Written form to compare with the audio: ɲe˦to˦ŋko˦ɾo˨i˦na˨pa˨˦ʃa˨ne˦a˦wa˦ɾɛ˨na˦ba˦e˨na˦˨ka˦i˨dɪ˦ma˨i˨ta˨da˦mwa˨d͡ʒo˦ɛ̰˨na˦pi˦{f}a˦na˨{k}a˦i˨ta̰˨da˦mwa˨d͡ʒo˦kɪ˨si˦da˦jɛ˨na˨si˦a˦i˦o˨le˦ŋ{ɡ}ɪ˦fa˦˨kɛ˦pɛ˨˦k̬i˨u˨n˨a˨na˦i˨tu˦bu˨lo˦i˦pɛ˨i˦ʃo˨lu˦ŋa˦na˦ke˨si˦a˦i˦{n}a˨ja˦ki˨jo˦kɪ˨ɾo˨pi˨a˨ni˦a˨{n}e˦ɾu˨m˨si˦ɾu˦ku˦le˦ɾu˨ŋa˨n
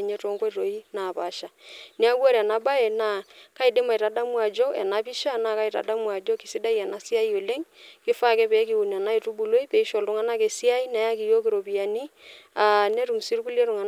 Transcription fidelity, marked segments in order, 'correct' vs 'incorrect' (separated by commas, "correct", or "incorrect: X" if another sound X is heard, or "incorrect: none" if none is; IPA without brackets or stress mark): incorrect: ʃ, correct, incorrect: k, correct, correct